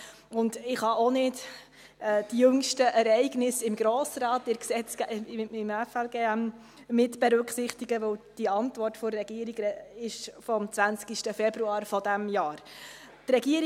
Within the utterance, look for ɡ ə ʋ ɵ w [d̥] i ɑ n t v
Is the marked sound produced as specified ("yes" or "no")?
yes